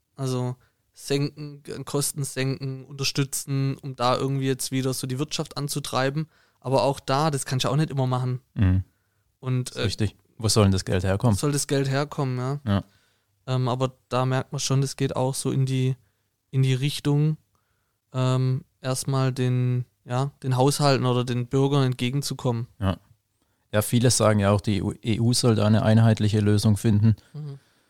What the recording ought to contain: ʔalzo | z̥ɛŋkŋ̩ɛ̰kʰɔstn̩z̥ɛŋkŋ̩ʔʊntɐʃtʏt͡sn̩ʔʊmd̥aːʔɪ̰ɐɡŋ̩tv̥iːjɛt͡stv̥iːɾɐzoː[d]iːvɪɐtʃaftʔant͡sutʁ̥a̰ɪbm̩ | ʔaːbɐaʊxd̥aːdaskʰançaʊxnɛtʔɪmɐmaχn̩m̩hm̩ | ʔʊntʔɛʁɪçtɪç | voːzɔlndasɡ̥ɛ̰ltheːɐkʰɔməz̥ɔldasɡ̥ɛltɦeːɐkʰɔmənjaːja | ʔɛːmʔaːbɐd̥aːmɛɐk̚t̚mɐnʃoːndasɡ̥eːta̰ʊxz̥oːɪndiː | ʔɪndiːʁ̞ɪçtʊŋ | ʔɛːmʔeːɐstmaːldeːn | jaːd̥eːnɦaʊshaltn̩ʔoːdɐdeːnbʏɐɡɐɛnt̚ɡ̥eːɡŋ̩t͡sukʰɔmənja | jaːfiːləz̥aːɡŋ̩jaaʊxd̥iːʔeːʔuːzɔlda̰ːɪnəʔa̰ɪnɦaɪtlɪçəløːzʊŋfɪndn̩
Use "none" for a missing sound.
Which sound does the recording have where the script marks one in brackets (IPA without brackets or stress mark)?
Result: d